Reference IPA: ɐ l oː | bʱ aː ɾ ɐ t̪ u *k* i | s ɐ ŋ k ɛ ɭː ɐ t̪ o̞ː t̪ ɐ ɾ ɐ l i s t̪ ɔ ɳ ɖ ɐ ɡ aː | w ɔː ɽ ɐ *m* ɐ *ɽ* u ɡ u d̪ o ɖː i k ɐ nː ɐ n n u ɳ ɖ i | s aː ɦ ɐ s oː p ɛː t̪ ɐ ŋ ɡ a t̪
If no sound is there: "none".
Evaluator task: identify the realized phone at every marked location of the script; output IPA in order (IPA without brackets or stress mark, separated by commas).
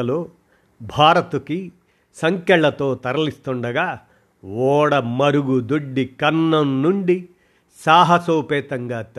k, m, ɾ